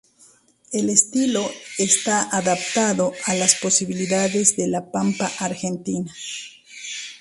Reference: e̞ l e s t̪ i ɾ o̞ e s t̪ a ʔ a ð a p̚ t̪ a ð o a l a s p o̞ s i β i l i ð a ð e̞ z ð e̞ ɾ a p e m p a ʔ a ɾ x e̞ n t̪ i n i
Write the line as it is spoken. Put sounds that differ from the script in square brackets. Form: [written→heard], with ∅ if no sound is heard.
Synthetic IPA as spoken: e̞ l e s t̪ i [ɾ→l] o̞ e s t̪ a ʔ a ð a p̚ t̪ a ð o a l a s p o̞ s i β i l i ð a ð e̞ z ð e̞ [ɾ→l] a p [e→a] m p a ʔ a ɾ x e̞ n t̪ i n [i→a]

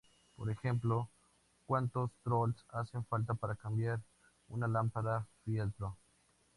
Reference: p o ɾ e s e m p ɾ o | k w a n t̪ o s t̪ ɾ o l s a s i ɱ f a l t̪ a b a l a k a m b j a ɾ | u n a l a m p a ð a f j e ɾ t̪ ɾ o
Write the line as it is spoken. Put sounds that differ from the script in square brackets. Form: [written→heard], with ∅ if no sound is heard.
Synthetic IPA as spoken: p o ɾ e [s→x] e m p [ɾ→l] o | k w a n t̪ o s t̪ ɾ o l s a s [i→e] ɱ f a l t̪ a [b→p] a [l→ɾ] a k a m b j a ɾ | u n a l a m p a ð a f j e [ɾ→l] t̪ ɾ o

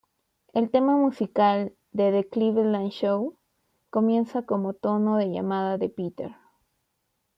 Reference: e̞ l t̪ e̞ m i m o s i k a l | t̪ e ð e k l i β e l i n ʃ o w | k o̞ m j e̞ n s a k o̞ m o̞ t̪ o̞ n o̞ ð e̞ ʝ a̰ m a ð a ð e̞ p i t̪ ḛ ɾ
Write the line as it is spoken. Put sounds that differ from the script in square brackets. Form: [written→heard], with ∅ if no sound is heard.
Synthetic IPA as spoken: e̞ l t̪ e̞ m [i→a] m [o→u] s i k a l | [t̪→d̪] e ð e k l i β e l [i→a] n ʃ o w | k o̞ m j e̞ n s a k o̞ m o̞ t̪ o̞ n o̞ ð e̞ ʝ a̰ m a ð a ð e̞ p i t̪ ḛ ɾ

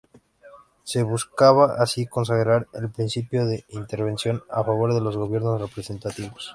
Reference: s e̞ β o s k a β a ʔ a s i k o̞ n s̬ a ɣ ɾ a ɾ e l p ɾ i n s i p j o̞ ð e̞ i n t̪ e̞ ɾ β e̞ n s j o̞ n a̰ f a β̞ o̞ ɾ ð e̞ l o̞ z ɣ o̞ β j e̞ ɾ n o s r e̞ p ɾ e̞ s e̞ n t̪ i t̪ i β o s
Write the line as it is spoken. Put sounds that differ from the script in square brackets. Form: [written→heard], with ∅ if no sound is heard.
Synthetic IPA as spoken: s e̞ β [o→u] s k a β a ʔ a s i k o̞ n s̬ a ɣ ɾ a ɾ e l p ɾ i n s i p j o̞ ð e̞ i n t̪ e̞ ɾ β e̞ n s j o̞ n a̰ f a β̞ o̞ ɾ ð e̞ l o̞ z ɣ o̞ β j e̞ ɾ n o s r e̞ p ɾ e̞ s e̞ n t̪ [i→a] t̪ i β o s

